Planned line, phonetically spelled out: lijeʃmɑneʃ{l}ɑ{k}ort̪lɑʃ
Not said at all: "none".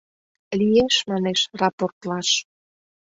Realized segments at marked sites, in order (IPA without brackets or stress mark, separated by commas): r, p